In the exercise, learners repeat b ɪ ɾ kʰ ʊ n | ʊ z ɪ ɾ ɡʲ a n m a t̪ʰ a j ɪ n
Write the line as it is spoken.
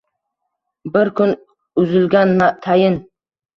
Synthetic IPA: b ɪ ɾ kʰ ʊ n | ʊ z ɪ l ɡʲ a n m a t̪ʰ a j ɪ n